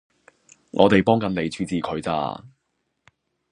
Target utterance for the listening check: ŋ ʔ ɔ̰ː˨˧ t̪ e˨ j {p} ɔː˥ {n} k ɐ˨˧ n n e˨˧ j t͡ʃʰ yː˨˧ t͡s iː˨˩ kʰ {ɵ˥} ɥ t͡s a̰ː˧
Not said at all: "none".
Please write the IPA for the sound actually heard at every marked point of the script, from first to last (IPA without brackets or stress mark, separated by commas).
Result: p, ŋ, ɵ˨˧